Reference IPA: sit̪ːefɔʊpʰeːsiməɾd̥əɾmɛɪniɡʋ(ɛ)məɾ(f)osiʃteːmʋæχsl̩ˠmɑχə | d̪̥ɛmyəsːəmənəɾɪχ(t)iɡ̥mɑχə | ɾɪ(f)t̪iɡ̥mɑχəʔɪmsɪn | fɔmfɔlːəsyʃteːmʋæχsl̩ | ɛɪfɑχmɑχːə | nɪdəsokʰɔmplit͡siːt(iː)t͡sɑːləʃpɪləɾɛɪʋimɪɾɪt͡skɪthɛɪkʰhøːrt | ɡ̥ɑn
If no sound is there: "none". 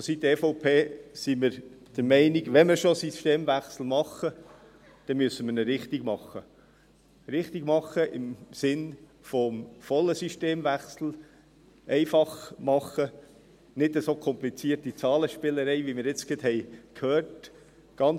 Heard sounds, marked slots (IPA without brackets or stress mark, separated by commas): ɛ, ʃ, t, χ, i